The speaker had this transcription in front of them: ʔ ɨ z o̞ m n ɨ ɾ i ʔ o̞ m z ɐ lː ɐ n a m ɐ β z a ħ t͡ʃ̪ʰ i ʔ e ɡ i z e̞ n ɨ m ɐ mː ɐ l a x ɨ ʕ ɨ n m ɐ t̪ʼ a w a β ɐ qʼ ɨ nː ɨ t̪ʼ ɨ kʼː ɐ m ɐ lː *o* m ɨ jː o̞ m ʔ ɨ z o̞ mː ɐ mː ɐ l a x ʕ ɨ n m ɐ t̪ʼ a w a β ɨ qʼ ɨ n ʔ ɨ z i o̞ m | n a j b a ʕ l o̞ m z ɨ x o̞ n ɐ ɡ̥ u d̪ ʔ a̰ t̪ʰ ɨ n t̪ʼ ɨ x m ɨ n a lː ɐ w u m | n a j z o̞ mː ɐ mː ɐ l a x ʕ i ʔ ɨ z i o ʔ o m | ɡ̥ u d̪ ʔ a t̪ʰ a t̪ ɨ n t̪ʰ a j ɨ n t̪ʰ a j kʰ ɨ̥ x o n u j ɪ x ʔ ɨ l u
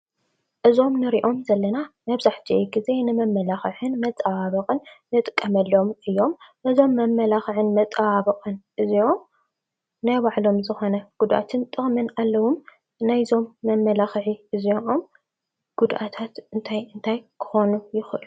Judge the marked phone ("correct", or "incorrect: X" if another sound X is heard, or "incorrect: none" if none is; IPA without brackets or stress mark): correct